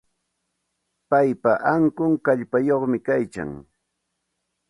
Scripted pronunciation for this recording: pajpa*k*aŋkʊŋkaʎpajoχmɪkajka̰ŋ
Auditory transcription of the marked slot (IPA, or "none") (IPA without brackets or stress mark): ʔ